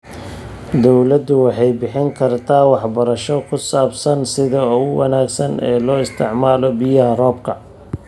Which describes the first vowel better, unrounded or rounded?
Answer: rounded